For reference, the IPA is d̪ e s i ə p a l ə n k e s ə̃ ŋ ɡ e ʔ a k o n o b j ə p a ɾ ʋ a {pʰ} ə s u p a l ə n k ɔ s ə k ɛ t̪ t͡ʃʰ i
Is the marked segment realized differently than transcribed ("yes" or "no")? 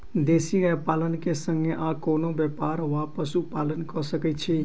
yes